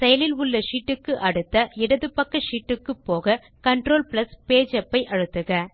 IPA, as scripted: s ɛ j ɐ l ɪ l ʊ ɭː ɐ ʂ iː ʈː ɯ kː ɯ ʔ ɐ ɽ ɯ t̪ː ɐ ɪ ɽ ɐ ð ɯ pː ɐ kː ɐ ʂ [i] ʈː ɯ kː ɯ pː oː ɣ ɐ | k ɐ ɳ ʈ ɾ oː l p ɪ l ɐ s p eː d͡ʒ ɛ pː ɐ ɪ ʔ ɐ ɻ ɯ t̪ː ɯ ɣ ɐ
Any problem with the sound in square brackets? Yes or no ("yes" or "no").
yes